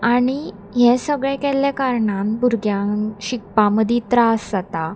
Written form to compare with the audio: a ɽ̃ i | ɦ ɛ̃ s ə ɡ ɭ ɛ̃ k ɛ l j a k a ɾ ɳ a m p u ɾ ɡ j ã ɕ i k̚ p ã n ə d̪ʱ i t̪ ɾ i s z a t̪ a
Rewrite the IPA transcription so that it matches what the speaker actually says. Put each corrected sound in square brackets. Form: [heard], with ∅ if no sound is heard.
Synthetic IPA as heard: a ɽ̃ i | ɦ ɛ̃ s ə ɡ ɭ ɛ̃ k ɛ l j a k a ɾ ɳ a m [b] u ɾ ɡ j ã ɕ i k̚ p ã [m] ə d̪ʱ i t̪ ɾ [a] s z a t̪ a